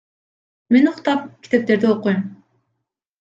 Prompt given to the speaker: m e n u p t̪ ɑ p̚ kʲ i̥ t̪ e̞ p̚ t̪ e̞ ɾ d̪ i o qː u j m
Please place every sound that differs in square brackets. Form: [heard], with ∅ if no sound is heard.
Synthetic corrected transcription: m e n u [q] t̪ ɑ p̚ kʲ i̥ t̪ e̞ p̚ t̪ e̞ ɾ d̪ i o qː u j m